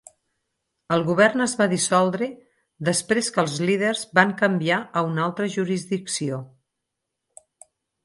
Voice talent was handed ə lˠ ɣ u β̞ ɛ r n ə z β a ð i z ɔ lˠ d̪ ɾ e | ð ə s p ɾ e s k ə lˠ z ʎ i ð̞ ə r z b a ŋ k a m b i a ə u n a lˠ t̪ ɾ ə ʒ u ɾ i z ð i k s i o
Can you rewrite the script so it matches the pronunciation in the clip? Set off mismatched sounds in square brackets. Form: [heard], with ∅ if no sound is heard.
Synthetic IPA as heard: ə lˠ ɣ u β̞ ɛ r n ə z β a ð i [s] ɔ lˠ d̪ ɾ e | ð ə s p ɾ e s k ə lˠ z [l] i ð̞ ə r z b a ŋ k [ə] m b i a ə u n a lˠ t̪ ɾ ə ʒ u ɾ i z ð i k s i o